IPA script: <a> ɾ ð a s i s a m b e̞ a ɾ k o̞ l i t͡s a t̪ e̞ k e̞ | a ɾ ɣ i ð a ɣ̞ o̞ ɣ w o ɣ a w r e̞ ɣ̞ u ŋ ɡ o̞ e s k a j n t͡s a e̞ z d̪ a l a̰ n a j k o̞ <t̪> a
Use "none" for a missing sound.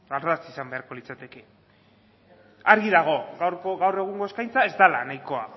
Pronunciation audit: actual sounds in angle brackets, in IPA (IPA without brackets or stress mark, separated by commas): a, none